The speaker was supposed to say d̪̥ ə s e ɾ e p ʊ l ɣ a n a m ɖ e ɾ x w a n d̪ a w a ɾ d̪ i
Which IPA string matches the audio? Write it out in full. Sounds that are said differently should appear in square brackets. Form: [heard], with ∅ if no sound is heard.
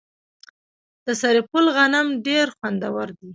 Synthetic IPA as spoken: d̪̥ ə s [a] ɾ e p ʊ l ɣ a n a m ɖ e ɾ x w a n d̪ a w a ɾ d̪ i